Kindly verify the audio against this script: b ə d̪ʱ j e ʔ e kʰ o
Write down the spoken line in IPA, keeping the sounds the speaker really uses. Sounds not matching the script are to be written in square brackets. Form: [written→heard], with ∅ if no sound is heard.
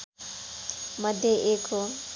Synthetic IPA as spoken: [b→m] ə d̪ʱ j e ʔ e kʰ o